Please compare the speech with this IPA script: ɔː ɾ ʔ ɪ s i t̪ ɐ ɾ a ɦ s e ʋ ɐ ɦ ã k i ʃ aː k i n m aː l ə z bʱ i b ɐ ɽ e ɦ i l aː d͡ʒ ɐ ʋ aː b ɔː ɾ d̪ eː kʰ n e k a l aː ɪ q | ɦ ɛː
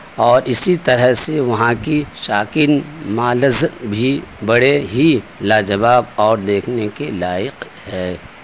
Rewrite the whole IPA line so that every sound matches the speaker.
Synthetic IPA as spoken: ɔː ɾ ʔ ɪ s i t̪ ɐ ɾ ə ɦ s e ʋ ɐ ɦ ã k i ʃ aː k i n m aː l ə z bʱ i b ɐ ɽ e ɦ i l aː d͡ʒ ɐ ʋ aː b ɔː ɾ d̪ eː kʰ n e k e l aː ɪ q | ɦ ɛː

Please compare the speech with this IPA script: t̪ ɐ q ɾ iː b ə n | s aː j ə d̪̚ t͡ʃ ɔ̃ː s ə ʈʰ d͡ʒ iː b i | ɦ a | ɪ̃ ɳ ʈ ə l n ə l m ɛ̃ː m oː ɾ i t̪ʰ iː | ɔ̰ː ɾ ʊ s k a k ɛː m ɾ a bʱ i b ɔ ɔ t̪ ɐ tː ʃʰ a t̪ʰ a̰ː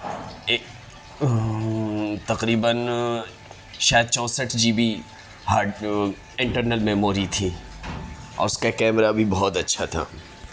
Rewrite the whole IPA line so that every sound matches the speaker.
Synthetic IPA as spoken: t̪ ɐ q ɾ iː b ə n | ʃ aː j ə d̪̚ t͡ʃ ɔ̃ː s ə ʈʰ d͡ʒ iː b i | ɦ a | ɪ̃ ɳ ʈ ə ɾ n ə l m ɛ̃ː m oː ɾ i t̪ʰ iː | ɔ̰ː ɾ ʊ s k a k ɛː m ɾ a bʱ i b ɔ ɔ t̪ ɐ tː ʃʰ a t̪ʰ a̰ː

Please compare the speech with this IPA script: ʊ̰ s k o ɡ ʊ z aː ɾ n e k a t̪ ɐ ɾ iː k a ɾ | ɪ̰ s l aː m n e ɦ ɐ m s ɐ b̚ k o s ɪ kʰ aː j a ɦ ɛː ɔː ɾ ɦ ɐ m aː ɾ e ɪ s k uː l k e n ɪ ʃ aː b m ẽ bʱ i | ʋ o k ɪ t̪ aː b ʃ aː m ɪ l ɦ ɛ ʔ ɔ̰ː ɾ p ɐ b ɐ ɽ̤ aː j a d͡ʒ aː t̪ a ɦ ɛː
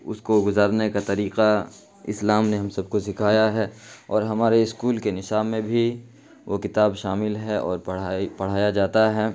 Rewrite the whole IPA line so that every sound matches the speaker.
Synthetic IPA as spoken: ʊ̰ s k o ɡ ʊ z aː ɾ n e k a t̪ ɐ ɾ iː q a | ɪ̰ s l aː m n e ɦ ɐ m s ɐ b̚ k o s ɪ kʰ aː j a ɦ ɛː ɔː ɾ ɦ ɐ m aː ɾ e ɪ s k uː l k e n ɪ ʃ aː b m ẽ bʱ i | ʋ o k ɪ t̪ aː b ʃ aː m ɪ l ɦ ɛ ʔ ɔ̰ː ɾ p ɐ p ɐ ɽ̤ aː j a d͡ʒ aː t̪ a ɦ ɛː

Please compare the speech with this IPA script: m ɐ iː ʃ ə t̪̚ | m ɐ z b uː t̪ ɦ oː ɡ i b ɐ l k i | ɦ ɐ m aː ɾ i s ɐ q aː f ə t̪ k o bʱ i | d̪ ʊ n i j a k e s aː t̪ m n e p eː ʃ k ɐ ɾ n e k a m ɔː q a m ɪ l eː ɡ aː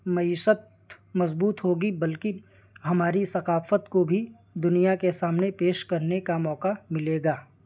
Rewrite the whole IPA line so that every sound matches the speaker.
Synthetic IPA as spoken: m ɐ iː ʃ ə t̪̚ | m ɐ z b uː t̪ ɦ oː ɡ i b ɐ l k i | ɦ ɐ m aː ɾ i s ɐ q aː f ə t̪ k o bʱ i | d̪ ʊ n i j a k e s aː m n e p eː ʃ k ɐ ɾ n e k a m ɔː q a m ɪ l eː ɡ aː

